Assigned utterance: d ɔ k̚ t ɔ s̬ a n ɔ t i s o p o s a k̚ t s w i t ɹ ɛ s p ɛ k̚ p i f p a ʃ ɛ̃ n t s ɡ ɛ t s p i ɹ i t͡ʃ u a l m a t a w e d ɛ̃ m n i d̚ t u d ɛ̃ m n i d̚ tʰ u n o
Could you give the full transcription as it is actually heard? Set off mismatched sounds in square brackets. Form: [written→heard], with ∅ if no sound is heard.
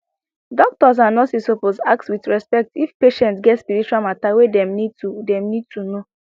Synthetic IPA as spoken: d ɔ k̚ t ɔ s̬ a n ɔ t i s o p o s a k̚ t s w i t ɹ ɛ s p ɛ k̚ [p→t] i f p [a→e] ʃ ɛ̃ n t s ɡ ɛ t s p i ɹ i t͡ʃ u a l m a t a w e d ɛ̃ m n i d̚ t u d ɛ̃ m n i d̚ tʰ u n o